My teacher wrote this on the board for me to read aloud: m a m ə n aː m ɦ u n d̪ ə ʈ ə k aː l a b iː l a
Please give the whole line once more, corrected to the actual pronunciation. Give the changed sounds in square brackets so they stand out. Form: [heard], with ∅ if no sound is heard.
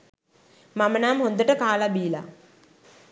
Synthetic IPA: m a m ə n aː m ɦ [o] n d̪ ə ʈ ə k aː l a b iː l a